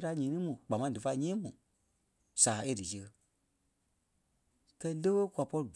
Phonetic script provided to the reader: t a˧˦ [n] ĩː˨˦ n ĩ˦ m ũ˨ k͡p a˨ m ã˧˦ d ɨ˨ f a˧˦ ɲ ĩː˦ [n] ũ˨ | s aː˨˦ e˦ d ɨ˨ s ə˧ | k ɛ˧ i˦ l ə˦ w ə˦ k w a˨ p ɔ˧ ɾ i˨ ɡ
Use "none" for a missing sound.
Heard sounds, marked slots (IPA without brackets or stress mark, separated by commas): ɲ, m